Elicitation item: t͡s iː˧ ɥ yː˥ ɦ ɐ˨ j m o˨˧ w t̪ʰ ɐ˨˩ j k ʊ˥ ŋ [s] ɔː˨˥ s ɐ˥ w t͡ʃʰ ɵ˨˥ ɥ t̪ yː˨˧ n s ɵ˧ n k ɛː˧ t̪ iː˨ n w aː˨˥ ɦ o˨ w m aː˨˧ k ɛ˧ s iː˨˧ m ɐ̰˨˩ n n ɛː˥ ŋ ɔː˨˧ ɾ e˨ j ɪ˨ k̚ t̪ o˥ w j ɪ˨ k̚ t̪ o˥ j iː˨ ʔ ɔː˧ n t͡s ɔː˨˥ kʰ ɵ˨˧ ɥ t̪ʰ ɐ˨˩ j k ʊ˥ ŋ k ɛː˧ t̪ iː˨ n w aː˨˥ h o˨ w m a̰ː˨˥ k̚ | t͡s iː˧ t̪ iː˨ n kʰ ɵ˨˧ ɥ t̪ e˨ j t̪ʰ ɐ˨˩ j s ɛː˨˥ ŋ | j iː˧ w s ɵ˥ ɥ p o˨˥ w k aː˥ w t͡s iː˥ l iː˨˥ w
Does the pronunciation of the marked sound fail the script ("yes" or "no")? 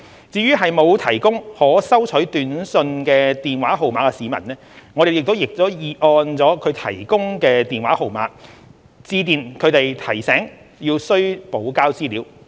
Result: yes